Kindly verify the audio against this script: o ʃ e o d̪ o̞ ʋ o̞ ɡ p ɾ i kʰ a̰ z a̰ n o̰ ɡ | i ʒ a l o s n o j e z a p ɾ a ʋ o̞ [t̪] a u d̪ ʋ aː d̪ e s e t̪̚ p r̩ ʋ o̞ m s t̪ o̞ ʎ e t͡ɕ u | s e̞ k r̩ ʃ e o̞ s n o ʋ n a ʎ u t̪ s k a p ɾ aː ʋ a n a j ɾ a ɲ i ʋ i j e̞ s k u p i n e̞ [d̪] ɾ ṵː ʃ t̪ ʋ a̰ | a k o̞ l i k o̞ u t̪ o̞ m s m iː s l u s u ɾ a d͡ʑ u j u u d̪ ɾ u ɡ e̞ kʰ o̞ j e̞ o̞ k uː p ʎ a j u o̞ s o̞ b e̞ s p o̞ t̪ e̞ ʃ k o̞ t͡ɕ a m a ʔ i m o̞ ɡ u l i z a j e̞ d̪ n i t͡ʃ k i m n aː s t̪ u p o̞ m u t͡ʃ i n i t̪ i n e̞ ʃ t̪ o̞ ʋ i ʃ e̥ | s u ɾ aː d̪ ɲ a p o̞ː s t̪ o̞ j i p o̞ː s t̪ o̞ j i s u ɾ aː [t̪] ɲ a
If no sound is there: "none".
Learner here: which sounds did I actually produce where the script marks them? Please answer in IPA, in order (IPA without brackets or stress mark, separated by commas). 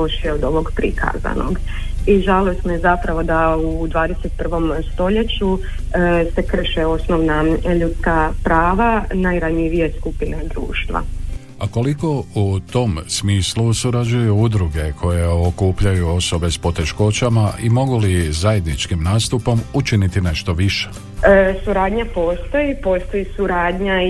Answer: d̪, d̪, d̪